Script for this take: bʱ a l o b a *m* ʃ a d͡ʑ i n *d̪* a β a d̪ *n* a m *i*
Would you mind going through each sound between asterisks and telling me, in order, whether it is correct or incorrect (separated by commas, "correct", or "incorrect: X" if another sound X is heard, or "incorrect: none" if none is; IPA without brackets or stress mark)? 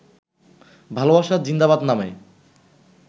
incorrect: none, correct, correct, incorrect: e